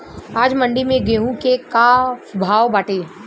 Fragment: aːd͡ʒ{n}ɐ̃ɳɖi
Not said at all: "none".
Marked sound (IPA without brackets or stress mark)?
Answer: m